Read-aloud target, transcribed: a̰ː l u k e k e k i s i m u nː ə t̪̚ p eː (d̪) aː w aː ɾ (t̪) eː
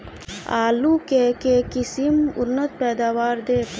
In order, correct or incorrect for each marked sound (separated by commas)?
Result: correct, incorrect